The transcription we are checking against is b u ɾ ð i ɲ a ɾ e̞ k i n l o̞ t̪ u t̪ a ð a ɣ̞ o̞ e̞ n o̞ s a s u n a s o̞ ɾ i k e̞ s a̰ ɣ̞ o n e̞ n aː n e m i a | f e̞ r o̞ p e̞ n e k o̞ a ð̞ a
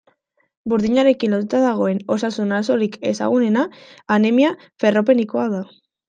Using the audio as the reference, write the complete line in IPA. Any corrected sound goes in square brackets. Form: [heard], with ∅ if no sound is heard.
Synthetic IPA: b u ɾ ð i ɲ a ɾ e̞ k i n l o̞ t̪ u t̪ a ð a ɣ̞ o̞ e̞ n o̞ s a s u n a s o̞ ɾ i k e̞ s a̰ ɣ̞ [u] n e̞ n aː n e m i a | f e̞ r o̞ p e̞ n [i] k o̞ a ð̞ a

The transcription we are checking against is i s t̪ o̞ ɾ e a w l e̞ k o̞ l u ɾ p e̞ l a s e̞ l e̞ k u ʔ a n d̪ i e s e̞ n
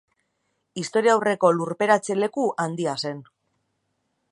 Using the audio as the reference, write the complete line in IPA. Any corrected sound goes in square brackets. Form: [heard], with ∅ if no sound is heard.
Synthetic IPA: i s t̪ o̞ ɾ [i] a w [r] e̞ k o̞ l u ɾ p e̞ [ɾ] a [t͡s] e̞ l e̞ k u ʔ a n d̪ i [a] s e̞ n

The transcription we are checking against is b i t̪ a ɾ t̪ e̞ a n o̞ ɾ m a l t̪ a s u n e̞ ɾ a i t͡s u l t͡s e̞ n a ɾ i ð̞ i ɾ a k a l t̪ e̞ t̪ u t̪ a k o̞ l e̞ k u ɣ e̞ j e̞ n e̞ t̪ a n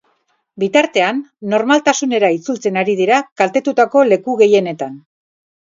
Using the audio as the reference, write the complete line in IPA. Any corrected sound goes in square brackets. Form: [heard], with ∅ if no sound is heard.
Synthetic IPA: b i t̪ a ɾ t̪ e̞ a [nː] o̞ ɾ m a l t̪ a s u n e̞ ɾ a i t͡s u l t͡s e̞ n a ɾ i ð̞ i ɾ a k a l t̪ e̞ t̪ u t̪ a k o̞ l e̞ k u ɣ e̞ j e̞ n e̞ t̪ a n

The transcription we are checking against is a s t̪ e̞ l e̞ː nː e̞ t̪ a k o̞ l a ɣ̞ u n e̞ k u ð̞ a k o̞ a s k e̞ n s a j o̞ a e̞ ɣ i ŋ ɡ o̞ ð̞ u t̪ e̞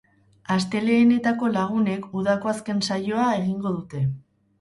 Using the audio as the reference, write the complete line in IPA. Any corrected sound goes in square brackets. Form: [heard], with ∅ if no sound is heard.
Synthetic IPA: a s t̪ e̞ l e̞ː [n] e̞ t̪ a k o̞ l a ɣ̞ u n e̞ k u ð̞ a k o̞ a s k e̞ n s a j o̞ a e̞ ɣ i ŋ ɡ o̞ ð̞ u t̪ e̞

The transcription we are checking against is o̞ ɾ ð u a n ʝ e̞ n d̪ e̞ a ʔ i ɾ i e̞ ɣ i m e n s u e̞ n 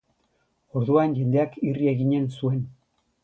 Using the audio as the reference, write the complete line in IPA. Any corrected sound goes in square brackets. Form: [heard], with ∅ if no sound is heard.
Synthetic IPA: o̞ ɾ ð u a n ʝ e̞ n d̪ e̞ a [k] i [r] i e̞ ɣ i [ɲ] e n s u e̞ n

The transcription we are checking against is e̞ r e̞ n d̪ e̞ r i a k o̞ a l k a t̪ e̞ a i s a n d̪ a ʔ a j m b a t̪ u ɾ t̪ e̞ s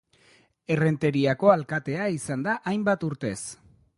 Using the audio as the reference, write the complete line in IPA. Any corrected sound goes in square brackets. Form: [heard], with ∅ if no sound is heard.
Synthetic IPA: e̞ r e̞ n [t̪] e̞ [ɾ] i a k o̞ a l k a t̪ e̞ a i s a n d̪ a ʔ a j m b a t̪ u ɾ t̪ e̞ s

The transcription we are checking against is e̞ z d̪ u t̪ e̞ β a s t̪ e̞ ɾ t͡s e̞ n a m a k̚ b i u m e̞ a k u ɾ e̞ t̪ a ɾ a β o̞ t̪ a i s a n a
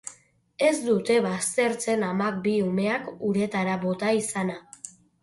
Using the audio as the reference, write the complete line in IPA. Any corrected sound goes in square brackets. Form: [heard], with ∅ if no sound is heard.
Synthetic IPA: e̞ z d̪ u t̪ e̞ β a s t̪ e̞ ɾ t͡s e̞ n a m a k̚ b i u m e̞ a k u ɾ e̞ t̪ a ɾ a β o̞ t̪ a i s a n a

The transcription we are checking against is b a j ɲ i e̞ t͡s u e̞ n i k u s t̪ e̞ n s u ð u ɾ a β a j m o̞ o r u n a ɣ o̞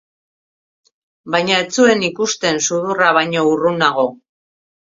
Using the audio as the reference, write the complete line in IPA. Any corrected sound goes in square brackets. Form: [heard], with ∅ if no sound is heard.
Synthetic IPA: b a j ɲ [a] e̞ t͡s u e̞ n i k u s t̪ e̞ n s u ð u [r] a β a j [ɲ] o̞ [u] r u n a ɣ o̞

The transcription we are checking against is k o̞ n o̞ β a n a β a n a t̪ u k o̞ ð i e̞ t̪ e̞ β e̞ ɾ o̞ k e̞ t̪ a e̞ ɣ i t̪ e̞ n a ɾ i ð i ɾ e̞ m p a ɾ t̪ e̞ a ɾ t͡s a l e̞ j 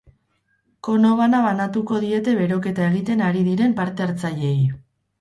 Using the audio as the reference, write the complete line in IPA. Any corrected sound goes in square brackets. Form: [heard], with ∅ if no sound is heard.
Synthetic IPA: k o̞ n o̞ β a n a β a n a t̪ u k o̞ ð i e̞ t̪ e̞ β e̞ ɾ o̞ k e̞ t̪ a e̞ ɣ i t̪ e̞ n a ɾ i ð i ɾ e̞ m p a ɾ t̪ e̞ a ɾ t͡s a [ʎ] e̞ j

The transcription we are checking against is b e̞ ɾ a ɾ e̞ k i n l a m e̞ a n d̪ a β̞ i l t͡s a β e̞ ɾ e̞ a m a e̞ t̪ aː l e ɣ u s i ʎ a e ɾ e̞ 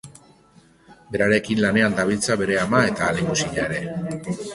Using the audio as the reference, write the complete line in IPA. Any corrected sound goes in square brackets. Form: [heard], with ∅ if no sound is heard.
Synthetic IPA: b e̞ ɾ a ɾ e̞ k i n l a [n] e̞ a n d̪ a β̞ i l t͡s a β e̞ ɾ e̞ a m a e̞ t̪ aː l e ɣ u s i ʎ a e ɾ e̞

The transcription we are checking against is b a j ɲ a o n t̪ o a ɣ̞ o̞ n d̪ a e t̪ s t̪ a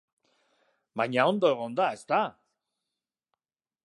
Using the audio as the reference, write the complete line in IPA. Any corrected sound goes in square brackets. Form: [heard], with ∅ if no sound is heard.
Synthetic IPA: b a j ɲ a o n [d̪] o [e] ɣ̞ o̞ n d̪ a e [∅] s t̪ a

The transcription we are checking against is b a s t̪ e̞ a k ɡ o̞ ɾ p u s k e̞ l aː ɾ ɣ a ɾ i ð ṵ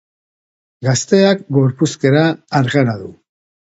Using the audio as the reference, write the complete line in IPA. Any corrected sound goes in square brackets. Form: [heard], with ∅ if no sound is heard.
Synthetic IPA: [ɡ] a s t̪ e̞ a k ɡ o̞ ɾ p u s k e̞ [ɾ] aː ɾ ɣ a ɾ [a] ð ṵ

